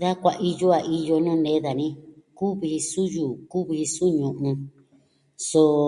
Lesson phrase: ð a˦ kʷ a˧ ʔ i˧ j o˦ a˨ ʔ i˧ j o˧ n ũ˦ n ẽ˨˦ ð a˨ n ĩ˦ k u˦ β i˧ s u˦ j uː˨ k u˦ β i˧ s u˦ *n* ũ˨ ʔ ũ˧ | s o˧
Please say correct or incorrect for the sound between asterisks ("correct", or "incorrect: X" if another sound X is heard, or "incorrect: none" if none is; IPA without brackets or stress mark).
incorrect: ɲ